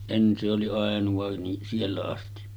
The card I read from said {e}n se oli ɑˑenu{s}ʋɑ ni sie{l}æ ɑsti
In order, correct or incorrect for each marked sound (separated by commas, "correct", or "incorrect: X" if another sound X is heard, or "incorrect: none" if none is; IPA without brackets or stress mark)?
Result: correct, incorrect: none, incorrect: lː